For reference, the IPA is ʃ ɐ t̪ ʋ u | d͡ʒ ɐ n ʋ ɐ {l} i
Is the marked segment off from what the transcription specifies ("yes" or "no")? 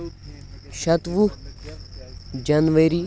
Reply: yes